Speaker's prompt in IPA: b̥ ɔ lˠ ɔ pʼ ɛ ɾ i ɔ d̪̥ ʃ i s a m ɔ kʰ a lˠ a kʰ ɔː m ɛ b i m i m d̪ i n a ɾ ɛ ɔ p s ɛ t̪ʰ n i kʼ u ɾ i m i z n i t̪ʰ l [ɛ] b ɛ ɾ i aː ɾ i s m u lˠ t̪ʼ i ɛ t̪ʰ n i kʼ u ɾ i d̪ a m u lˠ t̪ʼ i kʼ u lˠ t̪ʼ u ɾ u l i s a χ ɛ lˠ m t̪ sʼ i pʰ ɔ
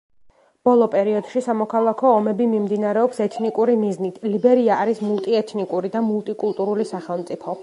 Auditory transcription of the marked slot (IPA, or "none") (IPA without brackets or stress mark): i